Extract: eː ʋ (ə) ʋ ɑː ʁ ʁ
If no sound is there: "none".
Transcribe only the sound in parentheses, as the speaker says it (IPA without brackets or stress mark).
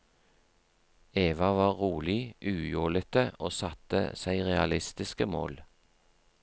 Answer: ɑ